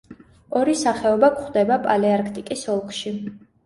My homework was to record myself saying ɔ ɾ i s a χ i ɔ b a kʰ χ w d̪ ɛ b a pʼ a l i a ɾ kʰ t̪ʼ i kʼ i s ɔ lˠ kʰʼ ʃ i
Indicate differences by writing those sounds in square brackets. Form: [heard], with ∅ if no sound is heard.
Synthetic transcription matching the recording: ɔ ɾ i s a χ [ɛ] ɔ b a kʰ χ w d̪ ɛ b a pʼ a l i a ɾ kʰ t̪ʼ i kʼ i s ɔ lˠ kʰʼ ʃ i